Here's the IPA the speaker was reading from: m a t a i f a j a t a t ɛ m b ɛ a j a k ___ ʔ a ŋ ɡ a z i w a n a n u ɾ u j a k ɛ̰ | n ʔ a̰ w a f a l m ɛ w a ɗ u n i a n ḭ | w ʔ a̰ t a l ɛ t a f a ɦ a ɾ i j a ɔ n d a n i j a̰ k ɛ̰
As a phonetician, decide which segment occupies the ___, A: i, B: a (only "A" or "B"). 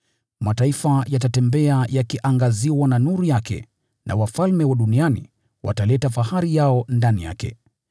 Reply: A